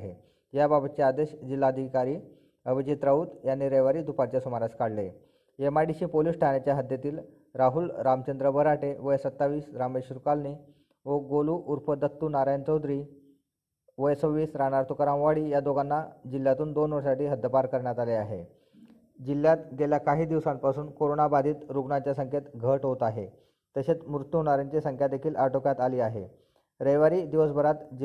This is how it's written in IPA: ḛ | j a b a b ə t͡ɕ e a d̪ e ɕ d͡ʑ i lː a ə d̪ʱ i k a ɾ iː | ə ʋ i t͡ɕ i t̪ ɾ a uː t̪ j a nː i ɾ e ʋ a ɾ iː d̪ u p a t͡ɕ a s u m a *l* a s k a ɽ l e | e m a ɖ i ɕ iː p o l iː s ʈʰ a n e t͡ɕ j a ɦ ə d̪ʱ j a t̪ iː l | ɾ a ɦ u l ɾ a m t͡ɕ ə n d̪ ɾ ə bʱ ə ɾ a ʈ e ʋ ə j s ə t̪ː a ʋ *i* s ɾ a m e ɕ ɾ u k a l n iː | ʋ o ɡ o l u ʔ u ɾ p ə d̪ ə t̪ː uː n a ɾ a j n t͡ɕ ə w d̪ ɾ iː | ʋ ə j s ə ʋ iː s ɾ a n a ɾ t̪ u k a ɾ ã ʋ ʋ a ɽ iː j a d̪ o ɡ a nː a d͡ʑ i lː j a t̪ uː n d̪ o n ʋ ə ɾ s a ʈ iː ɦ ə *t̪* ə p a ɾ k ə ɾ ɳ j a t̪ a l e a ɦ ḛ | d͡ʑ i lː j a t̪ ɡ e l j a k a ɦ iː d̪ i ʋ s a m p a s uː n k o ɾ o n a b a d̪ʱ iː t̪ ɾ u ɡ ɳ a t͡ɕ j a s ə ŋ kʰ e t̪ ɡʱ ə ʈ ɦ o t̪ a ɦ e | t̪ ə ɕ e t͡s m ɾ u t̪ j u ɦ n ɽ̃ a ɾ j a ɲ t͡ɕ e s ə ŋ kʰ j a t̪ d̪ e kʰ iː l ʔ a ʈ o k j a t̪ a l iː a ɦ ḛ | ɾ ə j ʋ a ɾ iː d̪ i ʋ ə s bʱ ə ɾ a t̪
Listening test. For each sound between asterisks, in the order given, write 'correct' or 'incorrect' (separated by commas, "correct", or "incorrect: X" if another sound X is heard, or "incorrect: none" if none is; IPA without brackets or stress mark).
incorrect: ɾ, incorrect: iː, incorrect: d̪